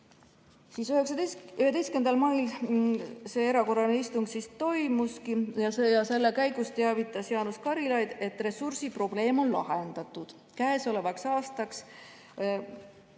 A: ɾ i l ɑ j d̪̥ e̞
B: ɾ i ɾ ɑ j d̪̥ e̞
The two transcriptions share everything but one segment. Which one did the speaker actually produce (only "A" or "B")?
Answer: A